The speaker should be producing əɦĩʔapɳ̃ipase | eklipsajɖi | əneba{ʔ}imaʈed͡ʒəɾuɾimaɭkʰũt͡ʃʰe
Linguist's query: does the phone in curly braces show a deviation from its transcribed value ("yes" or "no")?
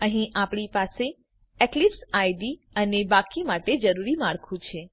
yes